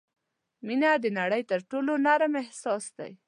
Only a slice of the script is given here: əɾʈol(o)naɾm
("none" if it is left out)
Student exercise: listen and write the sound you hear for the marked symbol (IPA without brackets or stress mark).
o